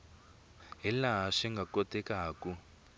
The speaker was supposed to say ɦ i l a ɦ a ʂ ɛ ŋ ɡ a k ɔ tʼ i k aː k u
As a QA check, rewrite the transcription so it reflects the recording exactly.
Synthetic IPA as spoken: ɦ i l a ɦ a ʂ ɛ ŋ ɡ a k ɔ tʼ ɛ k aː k u